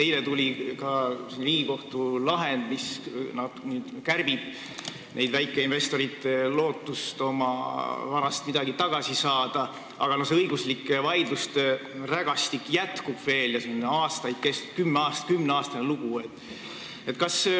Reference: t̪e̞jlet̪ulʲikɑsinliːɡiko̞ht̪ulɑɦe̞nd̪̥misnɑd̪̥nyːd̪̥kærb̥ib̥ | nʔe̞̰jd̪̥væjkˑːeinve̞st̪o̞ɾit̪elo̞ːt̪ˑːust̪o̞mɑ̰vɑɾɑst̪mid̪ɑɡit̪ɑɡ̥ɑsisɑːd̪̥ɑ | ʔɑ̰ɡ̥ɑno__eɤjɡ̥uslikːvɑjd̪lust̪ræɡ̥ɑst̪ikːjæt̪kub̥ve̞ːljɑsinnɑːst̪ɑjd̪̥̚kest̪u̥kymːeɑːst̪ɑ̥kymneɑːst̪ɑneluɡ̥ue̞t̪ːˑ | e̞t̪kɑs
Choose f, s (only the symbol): s